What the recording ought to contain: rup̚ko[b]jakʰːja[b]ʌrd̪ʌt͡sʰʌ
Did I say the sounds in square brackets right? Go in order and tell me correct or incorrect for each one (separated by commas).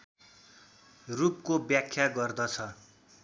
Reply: correct, incorrect